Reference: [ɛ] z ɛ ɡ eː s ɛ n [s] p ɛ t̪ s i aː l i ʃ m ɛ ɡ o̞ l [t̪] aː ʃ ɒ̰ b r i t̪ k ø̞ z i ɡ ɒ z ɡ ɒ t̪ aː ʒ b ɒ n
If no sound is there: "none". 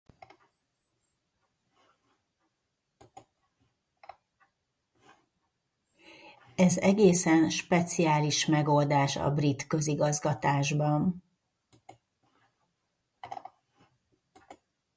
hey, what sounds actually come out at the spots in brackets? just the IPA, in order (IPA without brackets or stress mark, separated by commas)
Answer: ɛ, ʃ, d̪